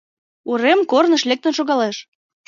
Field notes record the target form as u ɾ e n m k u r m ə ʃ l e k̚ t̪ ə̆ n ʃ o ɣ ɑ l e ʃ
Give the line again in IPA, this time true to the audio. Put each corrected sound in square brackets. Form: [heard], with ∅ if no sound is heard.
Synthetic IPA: u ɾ e [∅] m k [o] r [n] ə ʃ l e k̚ t̪ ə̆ n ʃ o ɣ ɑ l e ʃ